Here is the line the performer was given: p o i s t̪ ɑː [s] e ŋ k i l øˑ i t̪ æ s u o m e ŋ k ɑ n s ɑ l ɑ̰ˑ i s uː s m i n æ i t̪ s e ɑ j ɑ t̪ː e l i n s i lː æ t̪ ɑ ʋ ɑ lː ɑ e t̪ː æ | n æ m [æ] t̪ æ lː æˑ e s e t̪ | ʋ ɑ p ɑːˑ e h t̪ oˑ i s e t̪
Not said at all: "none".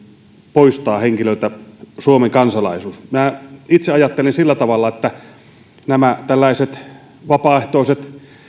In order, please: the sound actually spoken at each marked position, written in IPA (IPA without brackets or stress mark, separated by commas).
h, æ